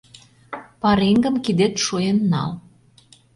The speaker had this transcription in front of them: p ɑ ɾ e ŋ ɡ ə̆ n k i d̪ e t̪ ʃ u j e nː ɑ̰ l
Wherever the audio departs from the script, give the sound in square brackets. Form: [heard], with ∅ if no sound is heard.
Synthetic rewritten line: p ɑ ɾ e ŋ ɡ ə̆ [m] k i d̪ e t̪ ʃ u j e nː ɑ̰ l